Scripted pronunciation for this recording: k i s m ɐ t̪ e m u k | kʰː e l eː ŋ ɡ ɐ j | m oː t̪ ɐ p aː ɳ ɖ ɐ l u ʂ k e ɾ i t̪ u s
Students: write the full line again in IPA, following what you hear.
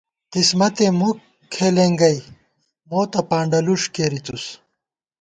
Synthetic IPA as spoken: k i s m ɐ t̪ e m u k | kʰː e l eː ŋ ɡ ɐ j | m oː t̪ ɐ p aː ɳ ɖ ɐ l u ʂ k e ɾ i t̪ u s